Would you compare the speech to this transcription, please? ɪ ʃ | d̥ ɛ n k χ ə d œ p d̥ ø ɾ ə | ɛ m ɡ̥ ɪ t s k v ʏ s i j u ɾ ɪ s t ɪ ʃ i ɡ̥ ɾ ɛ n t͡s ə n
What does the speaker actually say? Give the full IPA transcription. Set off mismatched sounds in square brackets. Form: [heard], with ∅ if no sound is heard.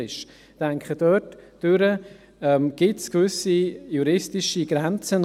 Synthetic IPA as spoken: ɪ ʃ | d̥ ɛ [ŋ] k χ ə d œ [t] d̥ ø ɾ ə | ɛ m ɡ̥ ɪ t s k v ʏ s i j u ɾ ɪ s t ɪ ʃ i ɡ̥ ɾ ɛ n t͡s ə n